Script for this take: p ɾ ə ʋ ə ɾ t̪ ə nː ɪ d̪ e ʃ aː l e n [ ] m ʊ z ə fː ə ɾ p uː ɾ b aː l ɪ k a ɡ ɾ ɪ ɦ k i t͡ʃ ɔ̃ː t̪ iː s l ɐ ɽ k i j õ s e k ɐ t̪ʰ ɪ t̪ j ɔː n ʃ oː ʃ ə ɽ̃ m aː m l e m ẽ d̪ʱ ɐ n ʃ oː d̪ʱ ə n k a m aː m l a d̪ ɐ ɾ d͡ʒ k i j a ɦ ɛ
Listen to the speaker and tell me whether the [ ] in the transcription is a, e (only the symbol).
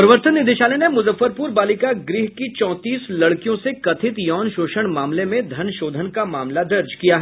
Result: e